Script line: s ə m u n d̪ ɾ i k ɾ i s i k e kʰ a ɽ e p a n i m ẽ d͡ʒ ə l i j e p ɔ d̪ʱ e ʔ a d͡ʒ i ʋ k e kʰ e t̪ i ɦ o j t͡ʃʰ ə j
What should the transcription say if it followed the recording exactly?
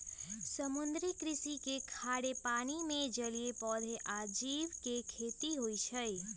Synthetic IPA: s ə m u n d̪ ɾ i k ɾ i s i k e kʰ a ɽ e p a n i m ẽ d͡ʒ ə l i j e p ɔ d̪ʱ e ʔ a d͡ʒ i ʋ k e kʰ e t̪ i ɦ o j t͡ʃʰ ə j